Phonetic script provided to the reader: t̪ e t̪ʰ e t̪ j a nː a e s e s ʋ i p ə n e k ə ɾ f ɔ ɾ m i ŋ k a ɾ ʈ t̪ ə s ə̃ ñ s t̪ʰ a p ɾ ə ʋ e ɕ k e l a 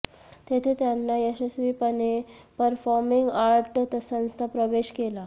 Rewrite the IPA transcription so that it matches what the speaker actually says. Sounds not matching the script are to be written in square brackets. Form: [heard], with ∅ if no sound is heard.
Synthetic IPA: t̪ e t̪ʰ e t̪ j a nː a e s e s ʋ i p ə n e [p] ə ɾ f ɔ ɾ m i ŋ [ɡ] a ɾ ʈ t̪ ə s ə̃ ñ s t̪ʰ a p ɾ ə ʋ e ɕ k e l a